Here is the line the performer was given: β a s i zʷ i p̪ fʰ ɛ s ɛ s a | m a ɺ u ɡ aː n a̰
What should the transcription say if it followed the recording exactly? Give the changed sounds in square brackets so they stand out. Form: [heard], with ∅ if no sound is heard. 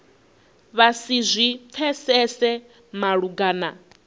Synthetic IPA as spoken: β a s i zʷ i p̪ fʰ ɛ s ɛ s [ɛ] | m a ɺ u ɡ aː n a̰